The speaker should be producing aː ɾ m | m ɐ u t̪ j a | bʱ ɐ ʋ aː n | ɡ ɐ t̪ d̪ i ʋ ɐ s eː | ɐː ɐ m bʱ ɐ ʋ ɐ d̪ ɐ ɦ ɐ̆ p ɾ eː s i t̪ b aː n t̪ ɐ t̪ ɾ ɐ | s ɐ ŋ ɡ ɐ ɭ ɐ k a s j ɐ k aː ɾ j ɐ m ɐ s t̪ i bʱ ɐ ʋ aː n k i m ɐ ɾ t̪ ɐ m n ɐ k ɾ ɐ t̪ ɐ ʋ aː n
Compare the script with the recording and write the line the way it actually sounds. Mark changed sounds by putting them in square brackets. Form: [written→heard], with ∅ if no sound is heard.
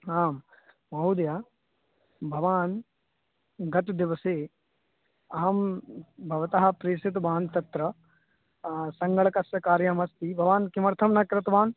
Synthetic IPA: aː [ɾ→∅] m | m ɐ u [t̪→d̪] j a | bʱ ɐ ʋ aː n | ɡ ɐ t̪ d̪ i ʋ ɐ s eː | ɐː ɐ m bʱ ɐ ʋ ɐ [d̪→t̪] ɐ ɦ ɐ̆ p ɾ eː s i t̪ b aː n t̪ ɐ t̪ ɾ ɐ | s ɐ ŋ ɡ ɐ ɭ ɐ k [a→ɐ] s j ɐ k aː ɾ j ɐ m ɐ s t̪ i bʱ ɐ ʋ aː n k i m ɐ ɾ [t̪→t̪ʰ] ɐ m n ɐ k ɾ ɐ t̪ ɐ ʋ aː n